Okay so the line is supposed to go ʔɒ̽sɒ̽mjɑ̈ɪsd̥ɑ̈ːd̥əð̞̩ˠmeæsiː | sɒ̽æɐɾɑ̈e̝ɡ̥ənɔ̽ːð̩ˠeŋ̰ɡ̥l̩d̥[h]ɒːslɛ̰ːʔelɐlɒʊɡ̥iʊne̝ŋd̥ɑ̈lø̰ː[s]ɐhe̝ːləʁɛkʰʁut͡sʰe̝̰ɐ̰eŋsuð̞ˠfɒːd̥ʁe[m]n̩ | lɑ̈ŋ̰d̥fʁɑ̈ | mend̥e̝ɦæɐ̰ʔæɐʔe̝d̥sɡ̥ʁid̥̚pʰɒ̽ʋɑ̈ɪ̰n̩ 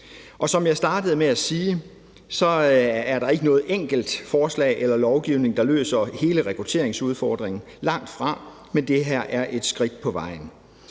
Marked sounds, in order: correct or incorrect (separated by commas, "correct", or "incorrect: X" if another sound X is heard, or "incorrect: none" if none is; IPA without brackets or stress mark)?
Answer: incorrect: f, correct, incorrect: ŋ